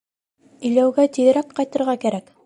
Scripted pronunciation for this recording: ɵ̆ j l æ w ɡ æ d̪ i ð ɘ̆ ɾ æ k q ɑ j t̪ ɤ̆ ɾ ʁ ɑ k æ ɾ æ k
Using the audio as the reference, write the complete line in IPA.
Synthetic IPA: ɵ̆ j l æ w ɡ æ t̪ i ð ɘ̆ ɾ æ k q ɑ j t̪ ɤ̆ ɾ ʁ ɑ k æ ɾ æ k